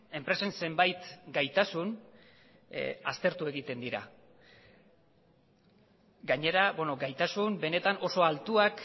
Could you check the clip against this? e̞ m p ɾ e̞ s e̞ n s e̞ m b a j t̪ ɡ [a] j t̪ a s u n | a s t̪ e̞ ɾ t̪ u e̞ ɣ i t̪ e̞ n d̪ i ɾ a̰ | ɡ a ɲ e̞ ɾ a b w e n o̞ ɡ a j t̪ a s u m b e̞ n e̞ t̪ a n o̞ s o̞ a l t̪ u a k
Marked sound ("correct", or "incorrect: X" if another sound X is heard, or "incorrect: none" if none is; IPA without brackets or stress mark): correct